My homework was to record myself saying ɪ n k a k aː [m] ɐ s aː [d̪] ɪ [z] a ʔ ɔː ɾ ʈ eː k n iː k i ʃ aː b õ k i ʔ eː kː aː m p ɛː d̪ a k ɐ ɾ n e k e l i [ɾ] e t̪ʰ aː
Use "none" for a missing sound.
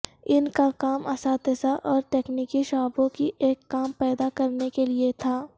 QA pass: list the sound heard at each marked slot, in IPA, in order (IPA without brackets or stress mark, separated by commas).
m, t̪, s, none